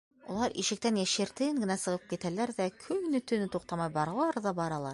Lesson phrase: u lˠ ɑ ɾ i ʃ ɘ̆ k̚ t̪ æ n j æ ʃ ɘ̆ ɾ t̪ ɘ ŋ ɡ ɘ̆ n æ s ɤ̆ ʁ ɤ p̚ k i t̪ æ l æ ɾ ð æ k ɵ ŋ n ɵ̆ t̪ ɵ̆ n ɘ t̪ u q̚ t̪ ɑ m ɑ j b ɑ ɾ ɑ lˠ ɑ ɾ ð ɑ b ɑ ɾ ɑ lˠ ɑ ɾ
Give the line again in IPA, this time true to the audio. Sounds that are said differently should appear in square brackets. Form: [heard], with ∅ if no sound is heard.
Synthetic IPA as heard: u lˠ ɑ ɾ i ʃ ɘ̆ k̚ t̪ æ n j æ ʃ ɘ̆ ɾ t̪ ɘ ŋ ɡ ɘ̆ n æ s ɤ̆ ʁ ɤ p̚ k i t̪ æ l æ ɾ ð æ [kʰ] ɵ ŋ n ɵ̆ t̪ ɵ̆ n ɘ t̪ u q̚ t̪ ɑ m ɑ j b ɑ ɾ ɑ lˠ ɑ ɾ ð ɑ b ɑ ɾ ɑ lˠ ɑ ɾ